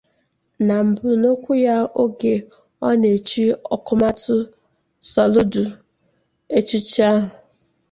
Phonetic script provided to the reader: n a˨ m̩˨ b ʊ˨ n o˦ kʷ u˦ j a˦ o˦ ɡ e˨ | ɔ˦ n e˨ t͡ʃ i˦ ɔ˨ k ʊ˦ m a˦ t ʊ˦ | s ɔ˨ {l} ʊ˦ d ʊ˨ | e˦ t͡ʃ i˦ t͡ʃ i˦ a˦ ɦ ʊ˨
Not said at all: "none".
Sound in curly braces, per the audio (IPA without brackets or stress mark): l